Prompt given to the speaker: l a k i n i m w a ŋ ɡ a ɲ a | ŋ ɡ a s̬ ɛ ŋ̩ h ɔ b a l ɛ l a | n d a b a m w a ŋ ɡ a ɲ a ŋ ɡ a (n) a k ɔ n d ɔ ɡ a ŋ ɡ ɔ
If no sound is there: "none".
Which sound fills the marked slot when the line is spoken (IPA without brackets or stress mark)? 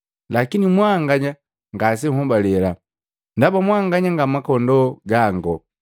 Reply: m